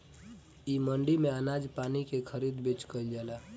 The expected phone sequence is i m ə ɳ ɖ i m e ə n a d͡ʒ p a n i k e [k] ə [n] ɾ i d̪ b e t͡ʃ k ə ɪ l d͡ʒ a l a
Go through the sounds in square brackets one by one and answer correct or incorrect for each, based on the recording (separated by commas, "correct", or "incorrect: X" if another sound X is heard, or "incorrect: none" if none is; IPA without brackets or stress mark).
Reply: incorrect: kʰ, incorrect: none